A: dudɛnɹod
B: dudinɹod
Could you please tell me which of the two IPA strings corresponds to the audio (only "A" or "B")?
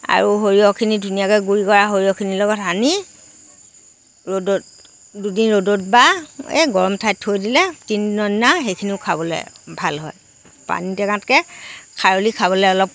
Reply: B